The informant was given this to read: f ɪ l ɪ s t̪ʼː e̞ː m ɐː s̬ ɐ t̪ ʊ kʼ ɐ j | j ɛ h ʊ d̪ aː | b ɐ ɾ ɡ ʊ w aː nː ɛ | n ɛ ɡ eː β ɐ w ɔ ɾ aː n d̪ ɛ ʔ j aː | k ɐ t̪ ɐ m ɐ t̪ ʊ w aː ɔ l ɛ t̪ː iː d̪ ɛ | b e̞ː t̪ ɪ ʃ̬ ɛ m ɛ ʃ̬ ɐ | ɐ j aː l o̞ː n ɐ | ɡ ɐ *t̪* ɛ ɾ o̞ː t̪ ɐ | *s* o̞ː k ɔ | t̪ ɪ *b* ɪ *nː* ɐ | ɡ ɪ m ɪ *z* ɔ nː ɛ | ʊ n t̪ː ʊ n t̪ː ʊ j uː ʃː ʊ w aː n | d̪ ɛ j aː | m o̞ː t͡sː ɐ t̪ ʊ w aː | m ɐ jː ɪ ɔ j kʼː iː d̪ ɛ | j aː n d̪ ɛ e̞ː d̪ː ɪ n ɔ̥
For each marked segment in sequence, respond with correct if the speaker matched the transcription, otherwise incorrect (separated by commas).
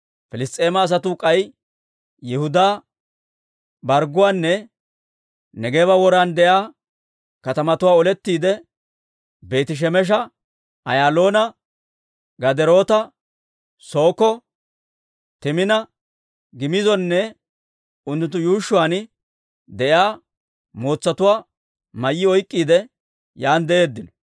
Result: incorrect, correct, incorrect, incorrect, correct